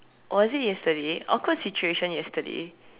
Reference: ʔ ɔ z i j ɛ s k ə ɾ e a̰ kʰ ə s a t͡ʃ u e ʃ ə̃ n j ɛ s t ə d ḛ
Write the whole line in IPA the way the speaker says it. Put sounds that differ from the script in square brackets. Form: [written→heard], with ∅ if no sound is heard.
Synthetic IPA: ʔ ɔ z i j ɛ s [k→t] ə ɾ e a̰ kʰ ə s [a→i] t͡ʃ u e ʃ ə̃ n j ɛ s t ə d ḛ

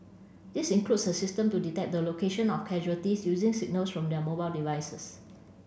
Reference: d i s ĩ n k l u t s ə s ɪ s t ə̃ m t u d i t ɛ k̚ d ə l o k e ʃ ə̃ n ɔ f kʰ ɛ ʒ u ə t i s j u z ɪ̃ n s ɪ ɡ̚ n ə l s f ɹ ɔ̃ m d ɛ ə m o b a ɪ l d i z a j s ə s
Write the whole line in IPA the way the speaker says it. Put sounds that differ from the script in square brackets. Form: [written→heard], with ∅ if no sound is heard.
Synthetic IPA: d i s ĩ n k l u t s ə s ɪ s t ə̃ m t u d i t ɛ k̚ d ə l o k e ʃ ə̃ n ɔ f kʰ ɛ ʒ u ə t i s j u z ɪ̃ [n→ŋ] s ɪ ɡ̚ n ə l s f ɹ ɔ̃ m d ɛ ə m o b a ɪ l d i [z→v] a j s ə s

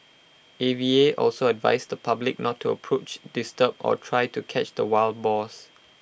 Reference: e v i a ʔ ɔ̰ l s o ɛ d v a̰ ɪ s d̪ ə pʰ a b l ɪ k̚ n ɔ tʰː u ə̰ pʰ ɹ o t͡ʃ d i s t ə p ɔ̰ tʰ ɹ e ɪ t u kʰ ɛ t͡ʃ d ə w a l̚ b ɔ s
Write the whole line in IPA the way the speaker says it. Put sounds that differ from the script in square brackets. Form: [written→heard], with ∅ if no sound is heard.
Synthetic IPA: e v i [a→e] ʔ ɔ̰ l s o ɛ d v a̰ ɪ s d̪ ə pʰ a b l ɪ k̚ n ɔ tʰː u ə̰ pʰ ɹ o t͡ʃ d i s t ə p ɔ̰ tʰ ɹ [e→a] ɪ t u kʰ ɛ t͡ʃ d ə w a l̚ b ɔ s

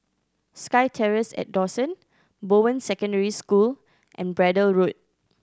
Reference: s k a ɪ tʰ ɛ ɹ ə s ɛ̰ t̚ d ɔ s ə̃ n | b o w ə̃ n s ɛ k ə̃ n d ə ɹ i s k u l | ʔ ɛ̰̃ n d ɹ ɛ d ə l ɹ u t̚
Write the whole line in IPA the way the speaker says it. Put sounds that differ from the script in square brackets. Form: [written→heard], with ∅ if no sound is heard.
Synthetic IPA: s k a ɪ tʰ ɛ ɹ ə s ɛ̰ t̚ d ɔ s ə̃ n | b o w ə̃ n s ɛ k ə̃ n d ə ɹ i s k u l | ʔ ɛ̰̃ n [d→b] ɹ ɛ d ə l ɹ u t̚

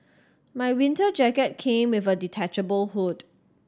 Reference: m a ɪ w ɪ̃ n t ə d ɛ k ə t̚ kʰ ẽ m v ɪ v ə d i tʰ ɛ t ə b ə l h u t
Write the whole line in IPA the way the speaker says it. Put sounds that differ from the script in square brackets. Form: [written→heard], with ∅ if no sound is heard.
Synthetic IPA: m a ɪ w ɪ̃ n t ə [d→d͡ʒ] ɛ k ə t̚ kʰ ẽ m [v→w] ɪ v ə d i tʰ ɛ [t→t͡ʃ] ə b ə l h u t

